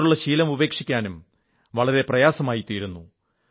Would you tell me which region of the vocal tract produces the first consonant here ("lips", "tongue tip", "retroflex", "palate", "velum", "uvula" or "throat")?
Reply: retroflex